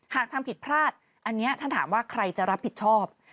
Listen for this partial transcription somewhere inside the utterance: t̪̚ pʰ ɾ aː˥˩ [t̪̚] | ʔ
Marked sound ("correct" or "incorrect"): correct